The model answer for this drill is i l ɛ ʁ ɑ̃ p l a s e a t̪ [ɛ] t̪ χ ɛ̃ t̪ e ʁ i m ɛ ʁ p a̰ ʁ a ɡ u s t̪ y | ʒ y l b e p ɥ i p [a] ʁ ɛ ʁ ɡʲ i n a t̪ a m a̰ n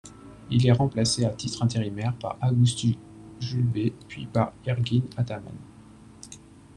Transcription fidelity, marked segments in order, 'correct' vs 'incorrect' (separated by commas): incorrect, correct